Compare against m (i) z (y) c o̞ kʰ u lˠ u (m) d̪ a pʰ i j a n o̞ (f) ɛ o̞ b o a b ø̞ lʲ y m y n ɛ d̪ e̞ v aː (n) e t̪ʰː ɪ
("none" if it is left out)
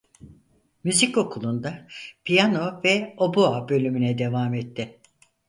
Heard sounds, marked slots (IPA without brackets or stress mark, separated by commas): y, i, n, v, m